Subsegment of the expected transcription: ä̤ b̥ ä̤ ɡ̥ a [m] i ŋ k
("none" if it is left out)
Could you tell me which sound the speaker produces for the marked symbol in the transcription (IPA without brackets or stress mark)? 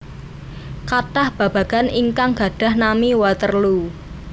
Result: n